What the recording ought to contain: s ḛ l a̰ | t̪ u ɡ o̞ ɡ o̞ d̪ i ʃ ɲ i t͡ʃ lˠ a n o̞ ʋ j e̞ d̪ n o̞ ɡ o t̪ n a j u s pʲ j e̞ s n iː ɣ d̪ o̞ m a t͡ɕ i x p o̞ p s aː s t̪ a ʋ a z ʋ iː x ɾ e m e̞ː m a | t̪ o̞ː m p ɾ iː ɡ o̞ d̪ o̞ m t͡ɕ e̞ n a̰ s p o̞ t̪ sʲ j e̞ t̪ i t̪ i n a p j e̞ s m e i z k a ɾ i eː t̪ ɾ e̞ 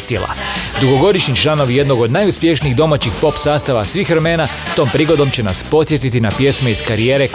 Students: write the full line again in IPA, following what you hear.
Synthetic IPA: s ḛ l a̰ | d̪ u ɡ o̞ ɡ o̞ d̪ i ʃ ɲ i t͡ʃ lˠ a n o̞ ʋ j e̞ d̪ n o̞ ɡ o d̪ n a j u s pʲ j e̞ ʃ n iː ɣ d̪ o̞ m a t͡ɕ i x p o̞ p s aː s t̪ a ʋ a s ʋ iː x ɾ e m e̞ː n a | t̪ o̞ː m p ɾ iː ɡ o̞ d̪ o̞ m t͡ɕ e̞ n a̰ s p o̞ t̪ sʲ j e̞ t̪ i t̪ i n a p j e̞ s m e i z k a ɾ i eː ɾ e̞